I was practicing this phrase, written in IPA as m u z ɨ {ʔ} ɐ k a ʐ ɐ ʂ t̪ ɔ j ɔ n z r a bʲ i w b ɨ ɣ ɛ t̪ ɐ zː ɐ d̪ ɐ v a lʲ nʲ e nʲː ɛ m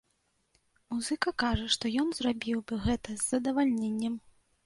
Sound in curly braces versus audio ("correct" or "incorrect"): incorrect